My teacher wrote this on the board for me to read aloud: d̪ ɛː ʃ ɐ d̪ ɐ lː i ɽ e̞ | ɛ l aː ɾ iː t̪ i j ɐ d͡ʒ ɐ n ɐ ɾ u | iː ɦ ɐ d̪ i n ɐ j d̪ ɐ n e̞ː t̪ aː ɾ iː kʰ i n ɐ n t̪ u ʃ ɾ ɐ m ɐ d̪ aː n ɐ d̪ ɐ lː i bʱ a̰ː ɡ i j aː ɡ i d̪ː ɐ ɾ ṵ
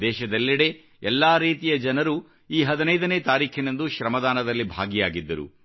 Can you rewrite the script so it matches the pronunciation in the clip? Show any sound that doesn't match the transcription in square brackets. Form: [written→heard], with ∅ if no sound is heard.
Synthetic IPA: d̪ ɛː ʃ ɐ d̪ ɐ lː i ɽ e̞ | ɛ [l→lː] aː ɾ iː t̪ i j ɐ d͡ʒ ɐ n ɐ ɾ u | iː ɦ ɐ d̪ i n ɐ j d̪ ɐ n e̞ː t̪ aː ɾ iː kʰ i n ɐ n [t̪→d̪] u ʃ ɾ ɐ m ɐ d̪ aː n ɐ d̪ ɐ lː i bʱ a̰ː ɡ i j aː ɡ i d̪ː ɐ ɾ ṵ